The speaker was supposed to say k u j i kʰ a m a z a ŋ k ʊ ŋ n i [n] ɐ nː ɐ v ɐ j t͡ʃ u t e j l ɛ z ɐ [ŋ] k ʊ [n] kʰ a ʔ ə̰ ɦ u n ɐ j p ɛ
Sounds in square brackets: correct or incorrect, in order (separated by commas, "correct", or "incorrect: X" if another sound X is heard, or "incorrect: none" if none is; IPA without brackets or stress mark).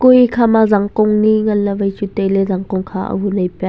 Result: incorrect: ŋ, correct, incorrect: ŋ